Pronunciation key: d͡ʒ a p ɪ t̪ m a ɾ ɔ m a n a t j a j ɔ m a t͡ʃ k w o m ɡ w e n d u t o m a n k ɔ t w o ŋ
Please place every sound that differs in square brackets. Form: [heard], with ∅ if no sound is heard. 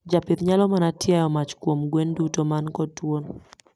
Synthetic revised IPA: d͡ʒ a p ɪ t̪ [ɲ] a [l] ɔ m a n a t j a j ɔ m a t͡ʃ k w o m ɡ w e n d u t o m a n k ɔ t w o [n]